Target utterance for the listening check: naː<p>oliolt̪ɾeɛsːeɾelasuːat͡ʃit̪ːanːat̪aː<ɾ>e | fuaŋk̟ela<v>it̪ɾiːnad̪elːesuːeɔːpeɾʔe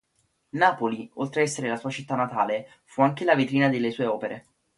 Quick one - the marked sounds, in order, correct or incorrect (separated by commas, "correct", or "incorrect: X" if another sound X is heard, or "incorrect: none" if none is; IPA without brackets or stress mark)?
correct, incorrect: l, correct